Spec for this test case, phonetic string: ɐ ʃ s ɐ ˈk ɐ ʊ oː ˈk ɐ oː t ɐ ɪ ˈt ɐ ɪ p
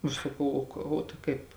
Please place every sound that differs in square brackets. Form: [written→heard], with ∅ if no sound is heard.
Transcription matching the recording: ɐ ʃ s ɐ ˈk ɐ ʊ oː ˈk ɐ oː t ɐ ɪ [ˈt→ˈk] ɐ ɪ p